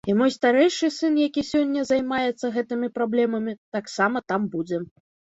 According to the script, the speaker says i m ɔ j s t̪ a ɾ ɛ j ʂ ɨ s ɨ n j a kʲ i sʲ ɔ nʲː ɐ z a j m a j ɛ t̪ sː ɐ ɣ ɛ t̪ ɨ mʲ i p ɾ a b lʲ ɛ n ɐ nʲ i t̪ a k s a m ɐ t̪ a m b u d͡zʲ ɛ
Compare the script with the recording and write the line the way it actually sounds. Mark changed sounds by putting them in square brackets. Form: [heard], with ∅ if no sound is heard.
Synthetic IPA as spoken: i m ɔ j s t̪ a ɾ ɛ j ʂ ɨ s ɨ n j a kʲ i sʲ ɔ nʲː ɐ z a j m a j ɛ t̪ sː ɐ ɣ ɛ t̪ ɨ mʲ i p ɾ a b lʲ ɛ [m] ɐ [mʲ] i t̪ a k s a m ɐ t̪ a m b u d͡zʲ ɛ